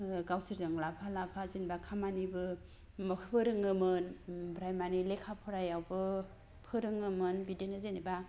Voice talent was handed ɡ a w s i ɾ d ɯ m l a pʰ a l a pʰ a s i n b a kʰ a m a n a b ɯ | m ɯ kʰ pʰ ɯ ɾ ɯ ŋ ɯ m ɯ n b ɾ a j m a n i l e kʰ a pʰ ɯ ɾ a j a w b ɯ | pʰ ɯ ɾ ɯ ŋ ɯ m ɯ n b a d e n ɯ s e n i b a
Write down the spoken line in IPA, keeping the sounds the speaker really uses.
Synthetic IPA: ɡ a w s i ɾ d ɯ ŋ l a pʰ a l a pʰ a z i n b a kʰ a m a n i b ɯ | m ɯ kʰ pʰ ɯ ɾ ɯ ŋ ɯ m ɯ n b ɾ a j m a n i l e kʰ a pʰ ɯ ɾ a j a w b ɯ | pʰ ɯ ɾ ɯ ŋ ɯ m ɯ n b i d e n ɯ z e n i b a